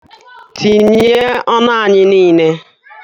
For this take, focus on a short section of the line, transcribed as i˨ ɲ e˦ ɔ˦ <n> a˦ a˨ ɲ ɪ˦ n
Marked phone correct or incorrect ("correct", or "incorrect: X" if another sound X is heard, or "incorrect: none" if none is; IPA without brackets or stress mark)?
correct